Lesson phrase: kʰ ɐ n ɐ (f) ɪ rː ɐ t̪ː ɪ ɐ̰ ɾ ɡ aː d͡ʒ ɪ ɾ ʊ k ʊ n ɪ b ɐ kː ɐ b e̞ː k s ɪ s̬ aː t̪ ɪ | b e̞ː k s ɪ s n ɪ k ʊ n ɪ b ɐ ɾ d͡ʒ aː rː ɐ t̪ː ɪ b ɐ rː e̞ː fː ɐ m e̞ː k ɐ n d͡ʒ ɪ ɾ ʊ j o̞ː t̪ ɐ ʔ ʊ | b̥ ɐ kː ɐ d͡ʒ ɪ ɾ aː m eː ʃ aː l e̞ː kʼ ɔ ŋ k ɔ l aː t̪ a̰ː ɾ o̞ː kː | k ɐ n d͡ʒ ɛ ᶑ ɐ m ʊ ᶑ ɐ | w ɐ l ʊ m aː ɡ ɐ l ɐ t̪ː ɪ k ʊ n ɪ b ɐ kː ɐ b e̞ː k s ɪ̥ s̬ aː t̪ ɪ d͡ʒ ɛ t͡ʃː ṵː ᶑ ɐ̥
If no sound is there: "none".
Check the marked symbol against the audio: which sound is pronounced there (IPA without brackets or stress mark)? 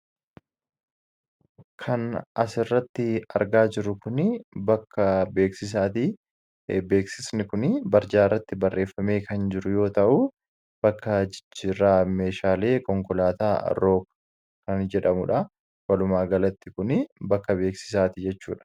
s